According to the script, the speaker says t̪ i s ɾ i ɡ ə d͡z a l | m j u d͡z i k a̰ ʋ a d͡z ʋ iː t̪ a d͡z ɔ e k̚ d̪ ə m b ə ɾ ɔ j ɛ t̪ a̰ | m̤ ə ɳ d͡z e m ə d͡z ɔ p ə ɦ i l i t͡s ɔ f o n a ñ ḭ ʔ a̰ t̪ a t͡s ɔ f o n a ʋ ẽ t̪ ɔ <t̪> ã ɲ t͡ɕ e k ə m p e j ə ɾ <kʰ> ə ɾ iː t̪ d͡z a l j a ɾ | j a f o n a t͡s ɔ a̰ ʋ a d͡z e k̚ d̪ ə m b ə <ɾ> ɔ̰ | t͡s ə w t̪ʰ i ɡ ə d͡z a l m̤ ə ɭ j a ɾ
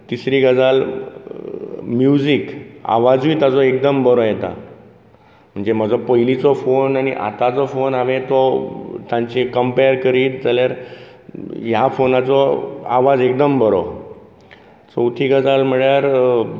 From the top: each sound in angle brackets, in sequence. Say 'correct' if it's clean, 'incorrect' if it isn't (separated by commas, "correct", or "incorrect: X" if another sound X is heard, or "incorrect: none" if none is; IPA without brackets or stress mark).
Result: correct, incorrect: k, correct